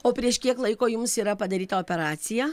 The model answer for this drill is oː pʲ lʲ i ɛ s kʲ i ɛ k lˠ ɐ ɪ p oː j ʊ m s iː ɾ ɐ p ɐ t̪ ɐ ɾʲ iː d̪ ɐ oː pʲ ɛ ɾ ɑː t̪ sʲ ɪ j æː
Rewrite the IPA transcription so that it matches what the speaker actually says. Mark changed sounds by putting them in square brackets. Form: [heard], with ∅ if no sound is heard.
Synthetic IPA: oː pʲ [ɾʲ] i ɛ [ʃ] kʲ i ɛ k lˠ ɐ ɪ [k] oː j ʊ m s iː ɾ ɐ p ɐ [d̪] ɐ ɾʲ iː [t̪] ɐ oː pʲ ɛ ɾ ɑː t̪ sʲ ɪ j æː